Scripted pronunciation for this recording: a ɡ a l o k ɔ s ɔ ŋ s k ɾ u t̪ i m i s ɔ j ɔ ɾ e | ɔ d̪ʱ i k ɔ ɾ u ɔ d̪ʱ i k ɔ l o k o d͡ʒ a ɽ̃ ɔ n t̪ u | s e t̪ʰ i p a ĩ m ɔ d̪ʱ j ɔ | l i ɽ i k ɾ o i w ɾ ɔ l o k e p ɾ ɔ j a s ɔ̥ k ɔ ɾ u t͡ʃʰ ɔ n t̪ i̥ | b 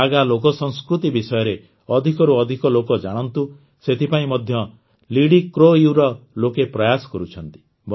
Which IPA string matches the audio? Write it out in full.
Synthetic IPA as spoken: a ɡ a l o k ɔ s ɔ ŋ s k ɾ u t̪ i b i s ɔ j ɔ ɾ e | ɔ d̪ʱ i k ɔ ɾ u ɔ d̪ʱ i k ɔ l o k ɔ d͡ʒ a ɽ̃ ɔ n t̪ u | s e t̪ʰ i p a ĩ m ɔ d̪ʱ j ɔ | l i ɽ i k ɾ o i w ɾ ɔ l o k e p ɾ ɔ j a s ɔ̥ k ɔ ɾ u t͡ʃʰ ɔ n t̪ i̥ | b

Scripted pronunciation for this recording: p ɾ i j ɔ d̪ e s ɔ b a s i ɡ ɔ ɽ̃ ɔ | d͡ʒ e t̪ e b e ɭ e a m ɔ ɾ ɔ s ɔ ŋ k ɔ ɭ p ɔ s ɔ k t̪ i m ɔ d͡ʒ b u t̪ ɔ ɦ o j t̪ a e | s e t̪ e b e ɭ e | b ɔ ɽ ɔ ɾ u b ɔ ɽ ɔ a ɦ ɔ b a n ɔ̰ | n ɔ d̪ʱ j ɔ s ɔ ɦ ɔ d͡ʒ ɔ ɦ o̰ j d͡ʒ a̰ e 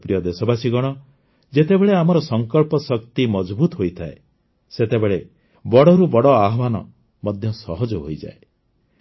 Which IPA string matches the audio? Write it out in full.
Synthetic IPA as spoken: p ɾ i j ɔ d̪ e s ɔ b a s i ɡ ɔ ɽ̃ ɔ | d͡ʒ e t̪ e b e ɭ e a m ɔ ɾ ɔ s ɔ ŋ k ɔ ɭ p ɔ s ɔ k t̪ i m ɔ d͡ʒ b u t̪ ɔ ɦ o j t̪ʰ a e | s e t̪ e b e ɭ e | b ɔ ɽ ɔ ɾ u b ɔ ɽ ɔ a ɦ ɔ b a n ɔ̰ | m ɔ d̪ʱ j ɔ s ɔ ɦ ɔ d͡ʒ ɔ ɦ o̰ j d͡ʒ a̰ e

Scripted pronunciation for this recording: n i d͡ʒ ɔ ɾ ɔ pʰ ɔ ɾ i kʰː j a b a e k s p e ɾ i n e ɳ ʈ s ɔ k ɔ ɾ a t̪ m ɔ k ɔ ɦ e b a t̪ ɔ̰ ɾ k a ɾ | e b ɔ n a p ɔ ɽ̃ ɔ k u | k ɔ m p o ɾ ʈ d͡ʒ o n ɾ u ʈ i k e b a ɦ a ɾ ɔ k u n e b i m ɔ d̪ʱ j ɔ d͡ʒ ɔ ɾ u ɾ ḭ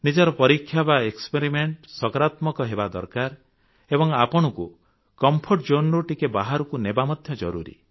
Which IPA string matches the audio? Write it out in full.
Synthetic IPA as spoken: n i d͡ʒ ɔ ɾ ɔ p ɔ ɾ i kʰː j a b a e k s p e ɾ i m e ɳ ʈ s ɔ k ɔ ɾ a t̪ m ɔ k ɔ ɦ e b a d̪ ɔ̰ ɾ k a ɾ | e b ɔ ŋ a p ɔ ɽ̃ ɔ k u | k ɔ m pʰ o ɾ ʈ d͡ʒ o n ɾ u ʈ i k e b a ɦ a ɾ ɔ k u n e b a m ɔ d̪ʱ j ɔ d͡ʒ ɔ ɾ u ɾ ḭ

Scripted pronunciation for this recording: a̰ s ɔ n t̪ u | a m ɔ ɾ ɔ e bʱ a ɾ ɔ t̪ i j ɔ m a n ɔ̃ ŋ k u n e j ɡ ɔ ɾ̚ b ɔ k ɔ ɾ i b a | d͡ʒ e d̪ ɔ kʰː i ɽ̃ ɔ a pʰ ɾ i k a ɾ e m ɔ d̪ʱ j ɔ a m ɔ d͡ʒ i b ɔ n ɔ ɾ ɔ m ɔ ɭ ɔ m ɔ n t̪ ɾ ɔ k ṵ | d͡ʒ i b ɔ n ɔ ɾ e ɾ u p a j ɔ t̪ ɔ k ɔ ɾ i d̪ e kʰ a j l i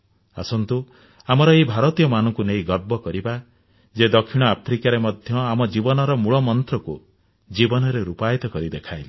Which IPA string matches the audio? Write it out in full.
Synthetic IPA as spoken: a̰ s ɔ n t̪ u | a m ɔ ɾ ɔ e bʱ a ɾ ɔ t̪ i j ɔ m a n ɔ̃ ŋ k u n e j ɡ ɔ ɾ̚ b ɔ k ɔ ɾ i b a | d͡ʒ e d̪ ɔ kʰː i ɽ̃ ɔ a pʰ ɾ i k a ɾ e m ɔ d̪ʱ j ɔ a m ɔ d͡ʒ i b ɔ n ɔ ɾ ɔ m u ɭ ɔ m ɔ n t̪ ɾ ɔ k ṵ | d͡ʒ i b ɔ n ɔ ɾ e ɾ u p a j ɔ t̪ ɔ k ɔ ɾ i d̪ e kʰ a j l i

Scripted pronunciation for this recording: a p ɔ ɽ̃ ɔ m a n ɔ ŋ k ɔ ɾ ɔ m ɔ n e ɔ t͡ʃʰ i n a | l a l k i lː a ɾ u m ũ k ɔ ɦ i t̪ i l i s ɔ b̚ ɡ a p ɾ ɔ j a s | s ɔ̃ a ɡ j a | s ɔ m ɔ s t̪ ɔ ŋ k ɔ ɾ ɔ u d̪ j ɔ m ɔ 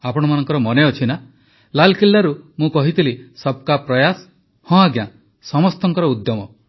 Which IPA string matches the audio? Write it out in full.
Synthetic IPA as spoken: a p ɔ ɽ̃ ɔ m a n ɔ ŋ k ɔ ɾ ɔ m ɔ n e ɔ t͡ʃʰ i n a | l a l k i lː a ɾ u m ũ k ɔ ɦ i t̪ i l i s ɔ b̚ k a p ɾ ɔ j a s | h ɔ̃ a ɡ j a | s ɔ m ɔ s t̪ ɔ ŋ k ɔ ɾ ɔ u d̪ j ɔ m ɔ

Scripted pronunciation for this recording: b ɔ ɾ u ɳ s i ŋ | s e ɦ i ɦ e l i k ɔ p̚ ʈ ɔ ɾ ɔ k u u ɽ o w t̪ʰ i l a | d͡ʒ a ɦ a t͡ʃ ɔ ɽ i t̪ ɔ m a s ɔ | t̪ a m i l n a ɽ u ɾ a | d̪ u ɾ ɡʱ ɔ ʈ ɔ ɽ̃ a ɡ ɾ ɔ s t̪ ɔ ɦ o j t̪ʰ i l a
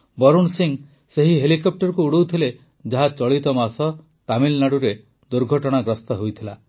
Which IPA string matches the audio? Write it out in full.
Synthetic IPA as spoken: b ɔ ɾ u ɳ s i ŋ | s e ɦ i ɦ e l i k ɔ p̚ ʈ ɔ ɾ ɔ k u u ɽ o w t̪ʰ i l e | d͡ʒ a ɦ a t͡ʃ ɔ ɭ i t̪ ɔ m a s ɔ | t̪ a m i l n a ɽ u ɾ e | d̪ u ɾ ɡʱ ɔ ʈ ɔ ɽ̃ a ɡ ɾ ɔ s t̪ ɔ ɦ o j t̪ʰ i l a

